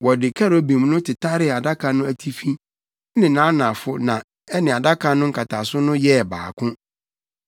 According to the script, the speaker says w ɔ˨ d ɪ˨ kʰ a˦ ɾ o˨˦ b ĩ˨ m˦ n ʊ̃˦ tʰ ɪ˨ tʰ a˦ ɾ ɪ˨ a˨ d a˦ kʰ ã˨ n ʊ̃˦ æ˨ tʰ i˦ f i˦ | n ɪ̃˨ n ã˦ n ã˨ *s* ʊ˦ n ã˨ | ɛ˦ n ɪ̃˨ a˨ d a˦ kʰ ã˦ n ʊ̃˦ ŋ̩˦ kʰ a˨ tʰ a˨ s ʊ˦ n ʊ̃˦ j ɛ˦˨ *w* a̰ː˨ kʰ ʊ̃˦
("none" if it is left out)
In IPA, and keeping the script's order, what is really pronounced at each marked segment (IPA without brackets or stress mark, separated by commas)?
f, b